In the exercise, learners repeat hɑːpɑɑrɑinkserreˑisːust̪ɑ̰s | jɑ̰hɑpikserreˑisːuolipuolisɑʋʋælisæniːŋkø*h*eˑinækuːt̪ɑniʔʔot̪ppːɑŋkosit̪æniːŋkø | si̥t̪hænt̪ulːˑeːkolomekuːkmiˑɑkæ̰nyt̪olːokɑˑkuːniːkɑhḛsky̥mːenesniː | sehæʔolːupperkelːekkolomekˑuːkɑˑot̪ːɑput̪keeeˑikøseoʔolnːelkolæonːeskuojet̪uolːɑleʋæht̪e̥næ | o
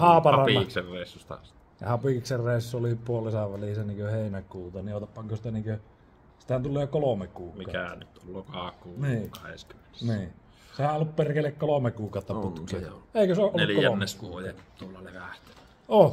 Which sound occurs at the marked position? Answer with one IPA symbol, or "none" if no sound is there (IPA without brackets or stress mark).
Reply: h